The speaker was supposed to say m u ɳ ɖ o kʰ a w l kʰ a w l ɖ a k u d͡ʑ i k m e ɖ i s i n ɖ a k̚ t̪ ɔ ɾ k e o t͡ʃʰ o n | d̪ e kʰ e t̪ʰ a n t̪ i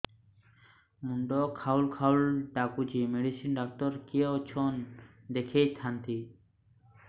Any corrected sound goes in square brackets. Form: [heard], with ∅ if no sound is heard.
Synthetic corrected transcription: m u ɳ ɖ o kʰ a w l kʰ a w l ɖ a k u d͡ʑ i [∅] m e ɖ i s i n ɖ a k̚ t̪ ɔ ɾ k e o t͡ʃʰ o n | d̪ e kʰ e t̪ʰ a n t̪ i